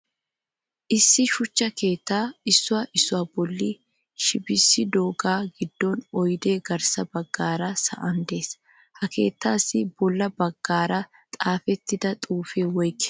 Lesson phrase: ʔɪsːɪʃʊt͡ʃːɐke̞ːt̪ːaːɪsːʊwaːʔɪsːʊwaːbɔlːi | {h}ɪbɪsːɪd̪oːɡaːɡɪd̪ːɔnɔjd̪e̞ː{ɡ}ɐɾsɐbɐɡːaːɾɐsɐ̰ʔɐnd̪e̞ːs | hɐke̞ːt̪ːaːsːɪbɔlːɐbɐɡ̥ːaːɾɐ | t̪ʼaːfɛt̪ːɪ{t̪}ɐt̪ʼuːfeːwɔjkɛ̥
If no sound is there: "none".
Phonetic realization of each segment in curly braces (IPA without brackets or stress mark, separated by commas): ʃ, ɡ, d̪